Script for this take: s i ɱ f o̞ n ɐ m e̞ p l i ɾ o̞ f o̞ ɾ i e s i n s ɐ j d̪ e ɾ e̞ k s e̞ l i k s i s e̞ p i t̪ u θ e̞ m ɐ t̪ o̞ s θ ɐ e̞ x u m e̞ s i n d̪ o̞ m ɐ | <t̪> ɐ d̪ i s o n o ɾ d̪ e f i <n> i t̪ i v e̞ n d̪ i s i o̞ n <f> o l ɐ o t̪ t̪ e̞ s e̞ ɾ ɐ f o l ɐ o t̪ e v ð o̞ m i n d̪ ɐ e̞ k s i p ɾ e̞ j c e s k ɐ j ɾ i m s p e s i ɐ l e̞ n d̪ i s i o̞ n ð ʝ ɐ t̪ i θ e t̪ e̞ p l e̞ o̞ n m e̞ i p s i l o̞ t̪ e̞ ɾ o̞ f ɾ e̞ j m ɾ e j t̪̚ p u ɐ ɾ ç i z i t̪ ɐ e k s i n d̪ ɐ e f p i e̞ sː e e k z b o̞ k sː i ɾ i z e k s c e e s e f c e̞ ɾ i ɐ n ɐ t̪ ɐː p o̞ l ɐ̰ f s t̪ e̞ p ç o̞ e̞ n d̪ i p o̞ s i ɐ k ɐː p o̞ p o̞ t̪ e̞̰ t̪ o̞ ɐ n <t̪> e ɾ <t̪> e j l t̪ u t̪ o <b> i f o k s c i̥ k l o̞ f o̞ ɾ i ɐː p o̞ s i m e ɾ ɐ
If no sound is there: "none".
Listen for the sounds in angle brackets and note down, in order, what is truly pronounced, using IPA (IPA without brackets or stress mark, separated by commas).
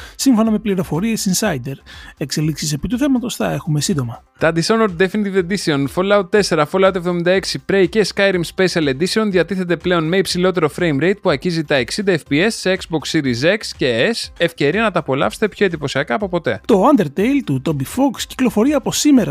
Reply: t̪, n, f, d̪, t̪, b